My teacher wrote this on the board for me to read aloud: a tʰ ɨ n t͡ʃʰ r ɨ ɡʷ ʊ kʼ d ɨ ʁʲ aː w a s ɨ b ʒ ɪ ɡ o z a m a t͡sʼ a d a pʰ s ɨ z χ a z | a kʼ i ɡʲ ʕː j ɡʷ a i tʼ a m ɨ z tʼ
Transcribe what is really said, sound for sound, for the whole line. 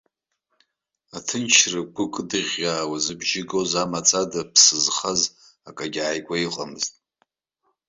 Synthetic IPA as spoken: a tʰ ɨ n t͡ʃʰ r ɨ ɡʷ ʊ kʼ d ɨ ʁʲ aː w a z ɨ b ʒ ɪ ɡ o z a m a t͡sʼ a d a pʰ s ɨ z χ a z | a kʼ a ɡʲ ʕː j ɡʷ a i qʼ a m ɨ z tʼ